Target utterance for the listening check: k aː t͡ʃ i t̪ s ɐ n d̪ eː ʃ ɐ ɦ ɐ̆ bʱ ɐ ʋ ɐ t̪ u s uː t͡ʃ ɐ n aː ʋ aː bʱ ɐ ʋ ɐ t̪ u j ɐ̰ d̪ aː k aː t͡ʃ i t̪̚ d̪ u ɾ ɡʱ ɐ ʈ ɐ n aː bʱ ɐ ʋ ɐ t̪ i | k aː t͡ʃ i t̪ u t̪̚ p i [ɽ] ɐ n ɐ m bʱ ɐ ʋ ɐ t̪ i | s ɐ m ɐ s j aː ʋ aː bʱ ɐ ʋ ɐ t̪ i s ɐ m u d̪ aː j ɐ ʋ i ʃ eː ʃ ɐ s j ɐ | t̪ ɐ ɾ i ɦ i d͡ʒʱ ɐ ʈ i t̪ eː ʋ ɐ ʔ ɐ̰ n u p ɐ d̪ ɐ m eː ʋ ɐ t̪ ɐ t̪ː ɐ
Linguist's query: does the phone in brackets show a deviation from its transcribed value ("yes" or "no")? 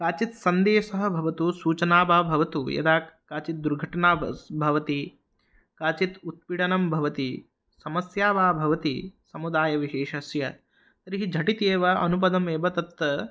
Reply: no